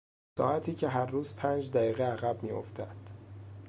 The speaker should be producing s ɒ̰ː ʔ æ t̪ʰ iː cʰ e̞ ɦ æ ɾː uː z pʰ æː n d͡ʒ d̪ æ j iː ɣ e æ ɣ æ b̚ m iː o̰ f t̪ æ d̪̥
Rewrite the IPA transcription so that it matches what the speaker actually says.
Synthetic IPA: s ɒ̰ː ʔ æ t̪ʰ iː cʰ e̞ ɦ æ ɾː uː z pʰ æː n d͡ʒ d̪ æ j iː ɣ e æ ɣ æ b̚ m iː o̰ f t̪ æ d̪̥